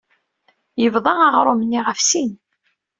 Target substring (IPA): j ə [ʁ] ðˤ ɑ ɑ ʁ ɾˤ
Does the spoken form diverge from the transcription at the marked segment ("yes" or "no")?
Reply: yes